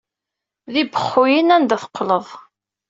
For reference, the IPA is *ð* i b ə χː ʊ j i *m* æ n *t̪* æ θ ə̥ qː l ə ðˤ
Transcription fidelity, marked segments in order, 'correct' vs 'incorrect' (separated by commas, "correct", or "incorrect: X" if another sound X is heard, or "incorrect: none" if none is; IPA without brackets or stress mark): correct, incorrect: n, incorrect: d̪